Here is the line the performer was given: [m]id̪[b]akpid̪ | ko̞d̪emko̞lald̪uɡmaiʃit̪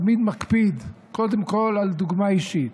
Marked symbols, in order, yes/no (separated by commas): yes, no